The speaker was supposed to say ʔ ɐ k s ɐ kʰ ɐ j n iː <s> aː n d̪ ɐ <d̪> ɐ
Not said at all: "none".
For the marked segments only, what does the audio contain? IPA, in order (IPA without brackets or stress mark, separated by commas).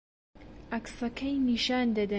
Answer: ʃ, d̪